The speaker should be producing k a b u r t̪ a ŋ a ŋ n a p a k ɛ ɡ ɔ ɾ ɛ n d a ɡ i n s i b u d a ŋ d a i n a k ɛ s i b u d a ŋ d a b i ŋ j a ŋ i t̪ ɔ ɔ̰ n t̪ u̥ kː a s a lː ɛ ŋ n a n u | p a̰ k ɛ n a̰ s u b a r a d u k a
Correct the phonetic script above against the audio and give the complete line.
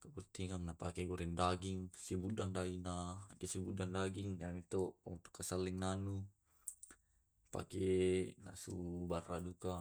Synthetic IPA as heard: k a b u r t̪ i ŋ a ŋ n a p a k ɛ ɡ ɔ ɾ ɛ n d a ɡ i ŋ s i b u d a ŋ d a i n a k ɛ s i b u d a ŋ d a ɡ i ŋ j a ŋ i t̪ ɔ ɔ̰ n t̪ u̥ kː a s a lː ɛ ŋ n a n u | p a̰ k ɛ n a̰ s u b a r a d u k a